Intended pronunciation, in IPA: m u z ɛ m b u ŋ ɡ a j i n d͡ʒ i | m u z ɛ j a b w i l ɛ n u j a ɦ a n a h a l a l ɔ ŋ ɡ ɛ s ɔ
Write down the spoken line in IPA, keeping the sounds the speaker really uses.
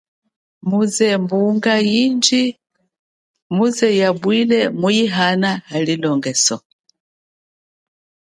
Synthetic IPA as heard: m u z ɛ m b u ŋ ɡ a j i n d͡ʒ i | m u z ɛ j a b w i l ɛ m u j i ɦ a n a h a l i l ɔ ŋ ɡ ɛ s ɔ